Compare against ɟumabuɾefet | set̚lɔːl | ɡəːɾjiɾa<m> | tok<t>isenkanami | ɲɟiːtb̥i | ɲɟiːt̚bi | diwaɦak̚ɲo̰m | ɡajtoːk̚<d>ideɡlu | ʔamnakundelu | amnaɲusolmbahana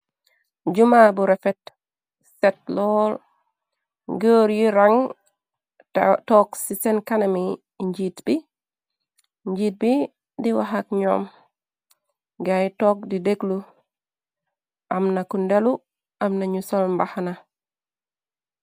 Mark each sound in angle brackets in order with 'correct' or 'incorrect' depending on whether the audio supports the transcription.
incorrect, incorrect, correct

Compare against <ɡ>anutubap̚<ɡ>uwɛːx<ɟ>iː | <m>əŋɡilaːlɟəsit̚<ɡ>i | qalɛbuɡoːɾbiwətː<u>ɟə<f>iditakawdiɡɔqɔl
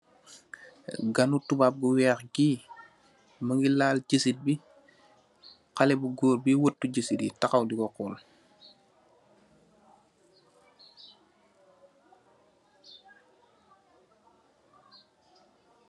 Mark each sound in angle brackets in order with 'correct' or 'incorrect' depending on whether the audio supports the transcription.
correct, correct, incorrect, correct, incorrect, correct, incorrect

